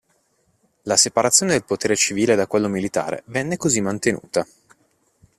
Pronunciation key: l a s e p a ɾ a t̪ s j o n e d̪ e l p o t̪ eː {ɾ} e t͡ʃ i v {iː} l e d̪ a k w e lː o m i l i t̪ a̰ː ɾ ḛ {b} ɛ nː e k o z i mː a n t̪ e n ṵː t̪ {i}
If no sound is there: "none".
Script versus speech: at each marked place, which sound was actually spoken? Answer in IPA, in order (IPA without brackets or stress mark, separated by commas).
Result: ɾ, iː, v, a